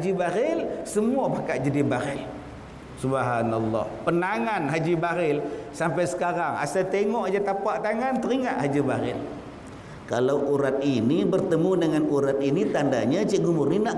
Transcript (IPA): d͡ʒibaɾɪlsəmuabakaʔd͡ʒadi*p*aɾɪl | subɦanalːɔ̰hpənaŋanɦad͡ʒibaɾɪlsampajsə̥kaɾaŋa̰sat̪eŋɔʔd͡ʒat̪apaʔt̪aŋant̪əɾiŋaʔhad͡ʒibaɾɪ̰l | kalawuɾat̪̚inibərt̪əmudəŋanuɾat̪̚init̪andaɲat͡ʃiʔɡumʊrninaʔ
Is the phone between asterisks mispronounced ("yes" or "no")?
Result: yes